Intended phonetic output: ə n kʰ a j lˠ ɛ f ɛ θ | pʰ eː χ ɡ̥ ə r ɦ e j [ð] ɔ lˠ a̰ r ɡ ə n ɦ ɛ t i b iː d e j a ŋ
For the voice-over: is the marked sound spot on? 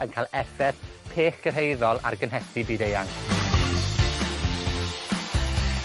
yes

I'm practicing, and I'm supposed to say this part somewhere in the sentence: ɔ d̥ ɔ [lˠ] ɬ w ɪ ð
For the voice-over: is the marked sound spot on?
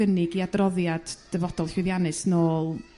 yes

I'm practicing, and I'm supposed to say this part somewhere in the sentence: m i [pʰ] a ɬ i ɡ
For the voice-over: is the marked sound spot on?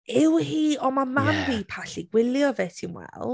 yes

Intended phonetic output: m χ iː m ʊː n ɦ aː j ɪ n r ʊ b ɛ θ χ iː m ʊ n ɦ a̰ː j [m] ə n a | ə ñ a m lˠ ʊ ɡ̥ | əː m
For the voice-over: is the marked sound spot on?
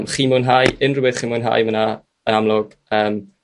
yes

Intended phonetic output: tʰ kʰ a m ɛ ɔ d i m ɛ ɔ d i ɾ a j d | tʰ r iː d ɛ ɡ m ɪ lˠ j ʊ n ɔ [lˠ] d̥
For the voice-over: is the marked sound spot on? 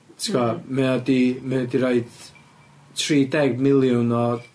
no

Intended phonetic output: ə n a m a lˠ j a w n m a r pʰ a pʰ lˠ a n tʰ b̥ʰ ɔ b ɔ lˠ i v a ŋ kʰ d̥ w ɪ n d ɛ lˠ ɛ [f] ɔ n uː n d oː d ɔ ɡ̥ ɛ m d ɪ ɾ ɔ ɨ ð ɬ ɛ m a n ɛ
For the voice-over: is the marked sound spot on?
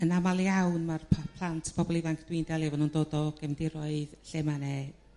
no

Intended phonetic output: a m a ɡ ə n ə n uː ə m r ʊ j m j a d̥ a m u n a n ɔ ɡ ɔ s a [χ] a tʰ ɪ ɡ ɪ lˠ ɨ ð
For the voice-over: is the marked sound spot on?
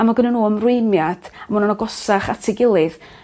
yes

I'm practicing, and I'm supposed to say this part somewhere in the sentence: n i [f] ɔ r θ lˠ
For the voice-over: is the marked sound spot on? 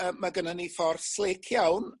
yes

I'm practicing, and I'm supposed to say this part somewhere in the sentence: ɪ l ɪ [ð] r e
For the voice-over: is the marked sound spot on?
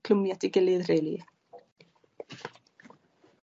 yes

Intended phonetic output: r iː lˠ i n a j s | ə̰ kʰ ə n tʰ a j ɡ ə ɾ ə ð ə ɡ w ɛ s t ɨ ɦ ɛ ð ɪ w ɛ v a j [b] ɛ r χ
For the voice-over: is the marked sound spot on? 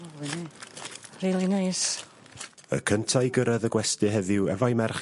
no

